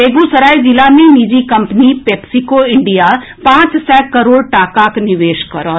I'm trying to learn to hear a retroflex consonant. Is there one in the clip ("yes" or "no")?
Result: yes